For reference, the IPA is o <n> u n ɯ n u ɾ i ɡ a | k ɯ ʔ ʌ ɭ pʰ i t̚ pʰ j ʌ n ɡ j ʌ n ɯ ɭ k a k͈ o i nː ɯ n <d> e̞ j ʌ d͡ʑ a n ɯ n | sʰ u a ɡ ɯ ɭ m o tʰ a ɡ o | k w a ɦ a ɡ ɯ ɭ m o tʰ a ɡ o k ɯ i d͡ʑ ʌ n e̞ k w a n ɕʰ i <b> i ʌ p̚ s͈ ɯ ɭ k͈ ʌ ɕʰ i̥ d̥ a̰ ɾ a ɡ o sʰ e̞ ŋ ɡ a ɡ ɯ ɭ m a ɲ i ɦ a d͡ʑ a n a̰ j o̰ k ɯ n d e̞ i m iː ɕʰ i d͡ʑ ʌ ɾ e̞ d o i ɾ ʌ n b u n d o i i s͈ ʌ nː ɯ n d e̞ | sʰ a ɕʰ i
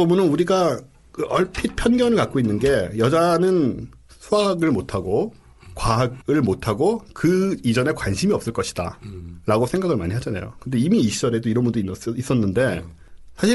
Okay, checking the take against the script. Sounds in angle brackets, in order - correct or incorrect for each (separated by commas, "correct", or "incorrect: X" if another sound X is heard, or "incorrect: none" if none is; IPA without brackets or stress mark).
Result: incorrect: m, incorrect: ɡ, incorrect: m